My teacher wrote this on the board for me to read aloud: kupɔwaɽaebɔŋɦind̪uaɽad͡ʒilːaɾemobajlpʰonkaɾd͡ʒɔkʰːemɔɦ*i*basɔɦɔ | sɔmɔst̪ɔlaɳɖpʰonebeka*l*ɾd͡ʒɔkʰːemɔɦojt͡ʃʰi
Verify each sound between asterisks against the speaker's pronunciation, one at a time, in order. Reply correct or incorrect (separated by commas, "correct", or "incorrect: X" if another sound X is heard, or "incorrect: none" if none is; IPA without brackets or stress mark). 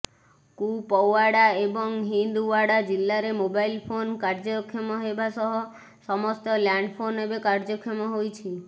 incorrect: e, incorrect: none